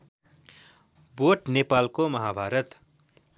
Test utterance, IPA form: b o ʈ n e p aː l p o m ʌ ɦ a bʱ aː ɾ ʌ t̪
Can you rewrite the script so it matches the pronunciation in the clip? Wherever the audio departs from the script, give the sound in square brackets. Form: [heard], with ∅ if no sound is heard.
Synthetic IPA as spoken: b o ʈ n e p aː l [k] o m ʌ ɦ a bʱ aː ɾ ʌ t̪